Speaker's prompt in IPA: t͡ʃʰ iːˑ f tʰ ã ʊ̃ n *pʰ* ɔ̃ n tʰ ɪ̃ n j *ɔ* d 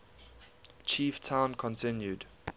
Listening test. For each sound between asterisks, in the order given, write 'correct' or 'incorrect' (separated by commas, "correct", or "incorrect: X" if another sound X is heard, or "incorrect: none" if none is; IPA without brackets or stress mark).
incorrect: kʰ, incorrect: u